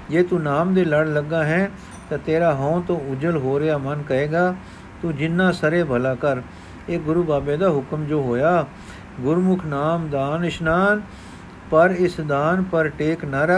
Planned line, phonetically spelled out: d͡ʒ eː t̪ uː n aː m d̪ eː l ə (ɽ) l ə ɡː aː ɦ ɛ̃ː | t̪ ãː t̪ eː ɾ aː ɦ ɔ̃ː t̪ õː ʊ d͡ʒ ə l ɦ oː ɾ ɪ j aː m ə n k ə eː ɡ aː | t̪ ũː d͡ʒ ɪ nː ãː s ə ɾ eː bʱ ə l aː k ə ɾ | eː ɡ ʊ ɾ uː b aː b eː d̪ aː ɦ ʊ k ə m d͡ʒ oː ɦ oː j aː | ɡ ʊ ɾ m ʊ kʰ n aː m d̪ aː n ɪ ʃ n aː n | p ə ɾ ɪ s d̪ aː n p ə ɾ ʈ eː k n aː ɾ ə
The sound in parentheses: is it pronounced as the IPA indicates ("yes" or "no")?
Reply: yes